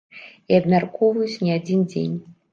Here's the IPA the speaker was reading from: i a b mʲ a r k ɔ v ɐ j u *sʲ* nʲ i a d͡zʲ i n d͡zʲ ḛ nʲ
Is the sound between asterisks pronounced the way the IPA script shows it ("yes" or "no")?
no